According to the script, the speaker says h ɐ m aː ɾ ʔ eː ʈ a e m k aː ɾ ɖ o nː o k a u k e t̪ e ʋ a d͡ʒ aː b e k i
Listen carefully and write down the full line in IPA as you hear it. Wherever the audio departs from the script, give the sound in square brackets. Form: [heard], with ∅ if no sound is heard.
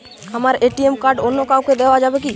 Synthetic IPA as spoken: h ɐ m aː ɾ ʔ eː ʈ [i] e m k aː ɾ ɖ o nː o k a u k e [d̪] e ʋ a d͡ʒ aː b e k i